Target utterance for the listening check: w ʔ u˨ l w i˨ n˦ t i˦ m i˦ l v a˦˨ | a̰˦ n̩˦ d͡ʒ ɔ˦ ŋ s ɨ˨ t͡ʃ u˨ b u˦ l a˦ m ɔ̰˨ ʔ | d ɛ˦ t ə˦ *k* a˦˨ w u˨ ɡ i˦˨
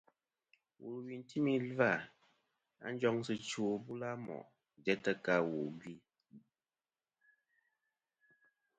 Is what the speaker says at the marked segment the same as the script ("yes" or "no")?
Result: yes